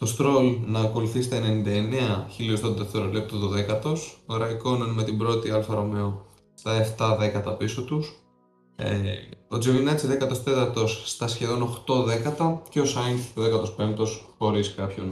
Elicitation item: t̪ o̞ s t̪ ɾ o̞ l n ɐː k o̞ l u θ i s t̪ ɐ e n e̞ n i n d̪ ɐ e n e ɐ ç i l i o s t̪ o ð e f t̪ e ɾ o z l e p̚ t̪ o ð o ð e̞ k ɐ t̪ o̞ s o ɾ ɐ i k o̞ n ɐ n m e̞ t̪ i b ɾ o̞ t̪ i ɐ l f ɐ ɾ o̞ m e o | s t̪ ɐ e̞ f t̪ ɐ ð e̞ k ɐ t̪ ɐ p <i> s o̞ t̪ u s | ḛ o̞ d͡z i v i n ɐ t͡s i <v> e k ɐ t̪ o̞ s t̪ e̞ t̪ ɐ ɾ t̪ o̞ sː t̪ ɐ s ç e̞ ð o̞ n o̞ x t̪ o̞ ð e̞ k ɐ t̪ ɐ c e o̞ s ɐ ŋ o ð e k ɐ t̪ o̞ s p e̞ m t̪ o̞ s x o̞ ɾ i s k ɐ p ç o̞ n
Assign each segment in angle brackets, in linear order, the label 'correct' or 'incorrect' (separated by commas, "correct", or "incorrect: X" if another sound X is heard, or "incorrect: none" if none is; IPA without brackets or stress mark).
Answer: correct, incorrect: ð